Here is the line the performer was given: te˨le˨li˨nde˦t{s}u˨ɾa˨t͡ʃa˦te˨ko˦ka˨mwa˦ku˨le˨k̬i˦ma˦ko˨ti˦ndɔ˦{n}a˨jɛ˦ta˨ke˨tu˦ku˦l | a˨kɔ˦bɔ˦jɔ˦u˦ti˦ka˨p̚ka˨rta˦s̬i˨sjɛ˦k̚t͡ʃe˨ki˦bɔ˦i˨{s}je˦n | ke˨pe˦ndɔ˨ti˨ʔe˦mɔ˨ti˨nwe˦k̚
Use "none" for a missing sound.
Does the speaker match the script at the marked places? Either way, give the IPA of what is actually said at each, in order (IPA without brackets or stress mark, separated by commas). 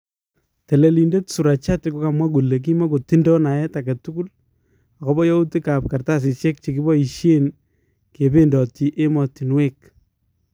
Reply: s, n, ʃ